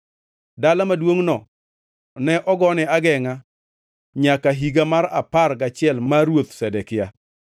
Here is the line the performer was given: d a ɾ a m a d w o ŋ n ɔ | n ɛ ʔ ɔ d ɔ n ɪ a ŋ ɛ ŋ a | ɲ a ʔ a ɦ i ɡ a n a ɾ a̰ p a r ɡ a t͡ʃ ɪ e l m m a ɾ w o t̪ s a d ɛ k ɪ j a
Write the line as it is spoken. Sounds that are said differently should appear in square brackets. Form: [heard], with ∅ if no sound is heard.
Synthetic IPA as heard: d a [l] a m a d w o ŋ n ɔ | n ɛ ʔ ɔ [ɡ] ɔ n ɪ a [ɡ] ɛ ŋ a | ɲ a [k] a ɦ i ɡ a [m] a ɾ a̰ p a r ɡ a t͡ʃ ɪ [ɛ] l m m a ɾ w o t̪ s [ɛ] d ɛ k ɪ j a